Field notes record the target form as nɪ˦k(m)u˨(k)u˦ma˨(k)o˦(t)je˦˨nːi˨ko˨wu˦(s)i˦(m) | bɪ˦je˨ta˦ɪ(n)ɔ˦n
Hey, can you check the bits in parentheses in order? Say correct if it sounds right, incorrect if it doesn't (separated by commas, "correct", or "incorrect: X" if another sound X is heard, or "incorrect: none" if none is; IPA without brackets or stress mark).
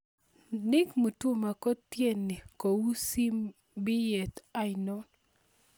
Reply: correct, incorrect: t, correct, correct, correct, correct, correct